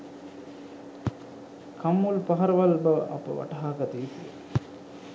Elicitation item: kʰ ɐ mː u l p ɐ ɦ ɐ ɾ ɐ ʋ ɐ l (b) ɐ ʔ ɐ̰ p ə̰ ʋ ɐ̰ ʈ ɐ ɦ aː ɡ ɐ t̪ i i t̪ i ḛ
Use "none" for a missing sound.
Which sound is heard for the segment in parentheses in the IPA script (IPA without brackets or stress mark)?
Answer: b